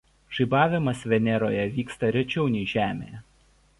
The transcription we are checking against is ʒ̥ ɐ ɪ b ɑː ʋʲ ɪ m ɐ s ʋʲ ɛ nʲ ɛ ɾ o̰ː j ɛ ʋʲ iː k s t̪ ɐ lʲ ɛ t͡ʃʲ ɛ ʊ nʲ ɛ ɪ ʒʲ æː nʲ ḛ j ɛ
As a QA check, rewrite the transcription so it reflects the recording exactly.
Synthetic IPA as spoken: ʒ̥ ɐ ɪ b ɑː ʋʲ ɪ m ɐ s ʋʲ ɛ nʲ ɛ ɾ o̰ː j ɛ ʋʲ iː k s t̪ ɐ ɾʲ ɛ t͡ʃʲ ɛ ʊ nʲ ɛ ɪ ʒʲ æː mʲ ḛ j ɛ